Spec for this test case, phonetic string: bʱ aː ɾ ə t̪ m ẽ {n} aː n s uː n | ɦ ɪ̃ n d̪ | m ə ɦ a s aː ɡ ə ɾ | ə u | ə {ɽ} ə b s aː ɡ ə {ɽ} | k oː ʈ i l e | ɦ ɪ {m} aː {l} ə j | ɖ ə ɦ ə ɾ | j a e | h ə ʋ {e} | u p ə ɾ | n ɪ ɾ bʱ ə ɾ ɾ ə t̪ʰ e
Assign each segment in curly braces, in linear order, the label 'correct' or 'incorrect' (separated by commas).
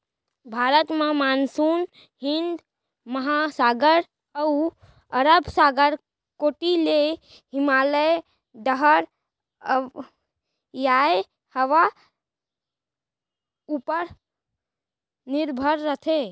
incorrect, incorrect, incorrect, correct, correct, incorrect